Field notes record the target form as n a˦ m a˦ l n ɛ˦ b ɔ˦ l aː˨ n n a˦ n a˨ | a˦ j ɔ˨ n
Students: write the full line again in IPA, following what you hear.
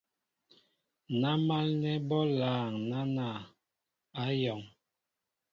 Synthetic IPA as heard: n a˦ m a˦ l n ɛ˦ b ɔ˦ l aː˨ ŋ n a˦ n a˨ | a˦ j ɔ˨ ŋ